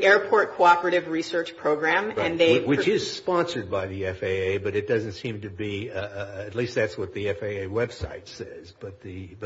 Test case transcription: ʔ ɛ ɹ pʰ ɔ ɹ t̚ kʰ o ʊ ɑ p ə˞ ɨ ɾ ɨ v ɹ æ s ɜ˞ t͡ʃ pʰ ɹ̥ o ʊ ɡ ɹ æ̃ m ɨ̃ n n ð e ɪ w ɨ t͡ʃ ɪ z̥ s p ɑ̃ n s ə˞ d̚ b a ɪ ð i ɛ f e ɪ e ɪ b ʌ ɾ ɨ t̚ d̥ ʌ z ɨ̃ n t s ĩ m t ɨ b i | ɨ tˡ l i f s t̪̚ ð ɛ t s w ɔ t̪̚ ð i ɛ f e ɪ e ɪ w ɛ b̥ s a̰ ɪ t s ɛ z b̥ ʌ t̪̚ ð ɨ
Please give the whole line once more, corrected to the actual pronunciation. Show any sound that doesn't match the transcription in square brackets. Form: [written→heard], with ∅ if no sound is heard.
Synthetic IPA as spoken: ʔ ɛ ɹ pʰ ɔ ɹ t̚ kʰ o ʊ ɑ p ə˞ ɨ ɾ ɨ v ɹ [æ→i] s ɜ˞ t͡ʃ pʰ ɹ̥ o ʊ ɡ ɹ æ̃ m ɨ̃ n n ð e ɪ w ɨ t͡ʃ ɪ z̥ s p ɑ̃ n s ə˞ d̚ b a ɪ ð i ɛ f e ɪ e ɪ b ʌ ɾ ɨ t̚ d̥ ʌ z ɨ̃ n t s ĩ m t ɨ b i | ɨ tˡ l i [f→∅] s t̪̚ ð [ɛ→æ] t s w [ɔ→ʌ] t̪̚ ð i ɛ f e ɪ e ɪ w ɛ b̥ s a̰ ɪ t s ɛ z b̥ ʌ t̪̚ ð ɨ

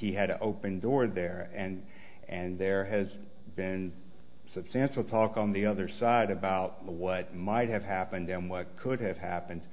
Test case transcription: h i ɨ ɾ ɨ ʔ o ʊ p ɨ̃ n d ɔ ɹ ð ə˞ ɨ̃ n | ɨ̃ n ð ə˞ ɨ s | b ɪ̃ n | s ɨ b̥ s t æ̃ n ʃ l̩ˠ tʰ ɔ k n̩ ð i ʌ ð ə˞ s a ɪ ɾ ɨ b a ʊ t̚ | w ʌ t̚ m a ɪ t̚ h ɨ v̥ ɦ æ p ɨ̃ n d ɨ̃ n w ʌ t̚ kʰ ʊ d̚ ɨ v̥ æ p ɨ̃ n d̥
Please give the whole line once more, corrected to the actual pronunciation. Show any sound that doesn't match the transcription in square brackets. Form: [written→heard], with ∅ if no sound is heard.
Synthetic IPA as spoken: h i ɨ ɾ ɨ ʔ o ʊ p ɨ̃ n d ɔ ɹ ð ə˞ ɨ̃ n | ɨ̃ n ð ə˞ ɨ [s→z] | b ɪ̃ n | s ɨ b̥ s t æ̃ n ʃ l̩ˠ tʰ ɔ k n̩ ð i ʌ ð ə˞ s a ɪ ɾ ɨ b a ʊ t̚ | w ʌ t̚ m a ɪ t̚ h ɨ v̥ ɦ æ p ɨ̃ n d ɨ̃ n w ʌ t̚ kʰ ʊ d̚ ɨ v̥ æ p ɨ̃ n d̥

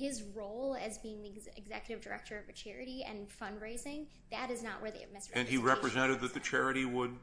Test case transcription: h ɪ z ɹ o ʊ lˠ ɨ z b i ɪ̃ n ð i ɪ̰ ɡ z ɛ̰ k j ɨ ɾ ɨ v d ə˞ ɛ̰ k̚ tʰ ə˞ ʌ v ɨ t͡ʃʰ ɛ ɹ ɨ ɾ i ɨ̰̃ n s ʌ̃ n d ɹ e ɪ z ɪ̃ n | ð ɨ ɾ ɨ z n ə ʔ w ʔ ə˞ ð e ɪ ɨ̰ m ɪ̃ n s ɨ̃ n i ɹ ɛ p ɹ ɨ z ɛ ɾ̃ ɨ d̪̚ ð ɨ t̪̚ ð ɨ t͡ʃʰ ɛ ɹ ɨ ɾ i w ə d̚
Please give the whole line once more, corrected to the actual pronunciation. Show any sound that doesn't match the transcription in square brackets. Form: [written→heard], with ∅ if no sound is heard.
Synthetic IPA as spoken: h ɪ z ɹ o ʊ lˠ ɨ z b i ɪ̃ [n→ŋ] ð i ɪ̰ ɡ z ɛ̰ k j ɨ ɾ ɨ v d ə˞ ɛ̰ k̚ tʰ ə˞ ʌ v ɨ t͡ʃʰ ɛ ɹ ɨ ɾ i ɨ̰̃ n [s→f] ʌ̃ n d ɹ e ɪ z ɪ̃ [n→ŋ] | ð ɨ ɾ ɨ z n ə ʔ w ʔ ə˞ ð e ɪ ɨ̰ m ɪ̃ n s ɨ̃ n i ɹ ɛ p ɹ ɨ z [ɛ→ɛ̃] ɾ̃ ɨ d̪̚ ð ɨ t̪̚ ð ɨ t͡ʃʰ ɛ ɹ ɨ ɾ i w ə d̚

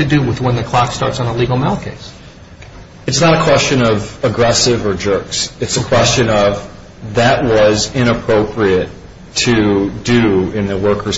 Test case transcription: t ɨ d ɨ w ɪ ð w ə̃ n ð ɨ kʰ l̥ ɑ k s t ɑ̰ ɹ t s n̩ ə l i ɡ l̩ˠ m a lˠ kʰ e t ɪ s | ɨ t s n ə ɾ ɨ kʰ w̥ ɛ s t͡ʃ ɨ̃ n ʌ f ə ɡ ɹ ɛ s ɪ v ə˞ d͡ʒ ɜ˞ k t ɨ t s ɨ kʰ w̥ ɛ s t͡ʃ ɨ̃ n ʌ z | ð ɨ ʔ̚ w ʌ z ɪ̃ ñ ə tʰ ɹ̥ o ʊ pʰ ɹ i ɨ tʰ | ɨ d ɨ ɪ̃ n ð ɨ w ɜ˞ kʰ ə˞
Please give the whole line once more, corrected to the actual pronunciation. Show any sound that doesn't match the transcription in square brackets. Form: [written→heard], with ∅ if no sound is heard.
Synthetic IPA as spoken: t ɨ d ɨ w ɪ ð w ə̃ n ð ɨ kʰ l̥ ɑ k s t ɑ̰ ɹ t s n̩ ə l i ɡ l̩ˠ m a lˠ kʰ e [t→∅] ɪ s | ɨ t s n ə ɾ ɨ kʰ w̥ ɛ s t͡ʃ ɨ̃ n ʌ [f→v] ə ɡ ɹ ɛ s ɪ v ə˞ d͡ʒ ɜ˞ k [t→s] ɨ t s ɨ kʰ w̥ ɛ s t͡ʃ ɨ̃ n ʌ [z→v] | ð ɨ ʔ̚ w ʌ z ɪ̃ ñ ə [tʰ→pʰ] ɹ̥ o ʊ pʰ ɹ i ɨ tʰ | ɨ d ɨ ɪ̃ n ð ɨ w ɜ˞ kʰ ə˞

